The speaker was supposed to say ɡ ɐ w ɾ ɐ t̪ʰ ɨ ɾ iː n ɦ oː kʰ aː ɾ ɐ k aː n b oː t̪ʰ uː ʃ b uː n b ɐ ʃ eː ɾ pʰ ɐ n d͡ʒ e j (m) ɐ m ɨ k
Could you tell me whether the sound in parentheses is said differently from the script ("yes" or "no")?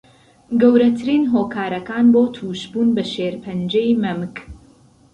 no